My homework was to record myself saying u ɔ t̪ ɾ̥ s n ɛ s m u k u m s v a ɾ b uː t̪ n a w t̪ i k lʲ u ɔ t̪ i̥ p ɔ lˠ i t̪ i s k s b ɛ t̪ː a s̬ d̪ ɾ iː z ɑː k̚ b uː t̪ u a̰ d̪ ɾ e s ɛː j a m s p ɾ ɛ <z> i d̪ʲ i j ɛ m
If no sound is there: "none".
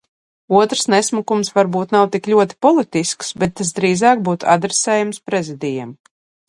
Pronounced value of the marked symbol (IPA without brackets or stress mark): z